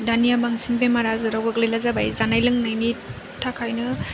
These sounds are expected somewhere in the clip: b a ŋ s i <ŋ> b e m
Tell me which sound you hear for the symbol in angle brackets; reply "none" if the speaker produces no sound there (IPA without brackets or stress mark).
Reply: n